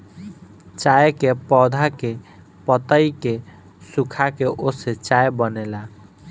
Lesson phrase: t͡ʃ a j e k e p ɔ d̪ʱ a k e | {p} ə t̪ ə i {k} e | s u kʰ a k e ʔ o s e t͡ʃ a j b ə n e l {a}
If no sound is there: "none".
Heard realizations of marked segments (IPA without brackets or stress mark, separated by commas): p, k, a